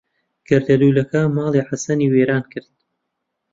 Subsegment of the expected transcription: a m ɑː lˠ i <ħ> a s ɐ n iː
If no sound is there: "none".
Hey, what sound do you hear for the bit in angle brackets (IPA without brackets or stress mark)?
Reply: ħ